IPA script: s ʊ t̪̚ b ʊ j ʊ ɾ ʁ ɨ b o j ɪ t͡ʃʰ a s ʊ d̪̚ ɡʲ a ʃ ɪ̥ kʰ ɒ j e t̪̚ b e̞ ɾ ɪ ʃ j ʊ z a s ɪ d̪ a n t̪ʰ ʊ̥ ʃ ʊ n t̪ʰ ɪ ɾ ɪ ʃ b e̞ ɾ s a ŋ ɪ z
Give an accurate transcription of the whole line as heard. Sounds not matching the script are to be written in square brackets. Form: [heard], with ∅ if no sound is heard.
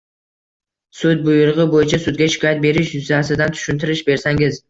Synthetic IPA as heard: s ʊ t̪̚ b ʊ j ʊ ɾ ʁ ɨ b o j ɪ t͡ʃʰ a s ʊ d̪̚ ɡʲ a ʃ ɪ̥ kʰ ɒ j [a] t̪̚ b e̞ ɾ ɪ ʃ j ʊ z a s ɪ d̪ a n t̪ʰ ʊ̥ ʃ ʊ n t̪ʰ ɪ ɾ ɪ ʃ b e̞ ɾ s a ŋ ɪ z